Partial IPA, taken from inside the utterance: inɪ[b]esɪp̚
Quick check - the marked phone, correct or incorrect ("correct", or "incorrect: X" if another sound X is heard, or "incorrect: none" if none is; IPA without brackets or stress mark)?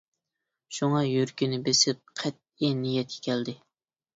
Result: correct